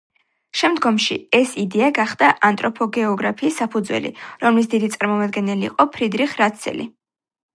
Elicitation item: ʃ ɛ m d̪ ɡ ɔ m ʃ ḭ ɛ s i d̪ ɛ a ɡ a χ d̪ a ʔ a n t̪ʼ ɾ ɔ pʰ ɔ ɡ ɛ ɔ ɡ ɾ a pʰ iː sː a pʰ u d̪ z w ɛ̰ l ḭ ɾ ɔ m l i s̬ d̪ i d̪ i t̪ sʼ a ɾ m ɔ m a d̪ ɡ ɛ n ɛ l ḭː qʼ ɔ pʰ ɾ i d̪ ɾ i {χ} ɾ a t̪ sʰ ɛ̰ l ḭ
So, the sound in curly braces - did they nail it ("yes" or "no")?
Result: yes